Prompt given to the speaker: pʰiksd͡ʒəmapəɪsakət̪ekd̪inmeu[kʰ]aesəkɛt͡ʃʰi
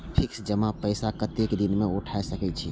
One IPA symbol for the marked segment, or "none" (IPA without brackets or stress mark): ʈʰ